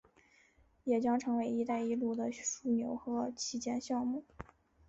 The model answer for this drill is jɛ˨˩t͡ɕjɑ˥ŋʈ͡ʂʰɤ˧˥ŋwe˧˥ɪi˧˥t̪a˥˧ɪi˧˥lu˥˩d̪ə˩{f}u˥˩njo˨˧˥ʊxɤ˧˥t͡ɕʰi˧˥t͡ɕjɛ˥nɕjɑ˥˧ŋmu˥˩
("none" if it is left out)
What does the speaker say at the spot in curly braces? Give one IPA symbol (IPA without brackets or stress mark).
ʂ